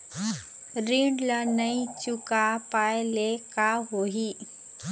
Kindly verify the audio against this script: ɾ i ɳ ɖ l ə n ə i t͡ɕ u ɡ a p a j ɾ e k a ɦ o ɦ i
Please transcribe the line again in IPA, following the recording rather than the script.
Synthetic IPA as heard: ɾ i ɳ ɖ l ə n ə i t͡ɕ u k a p a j l e k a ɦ o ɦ i